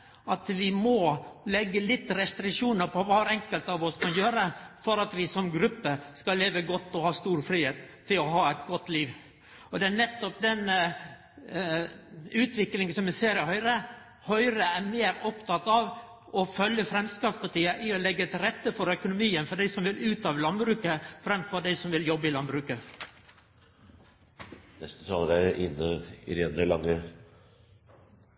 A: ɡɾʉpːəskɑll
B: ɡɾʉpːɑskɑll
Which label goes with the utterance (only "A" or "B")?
A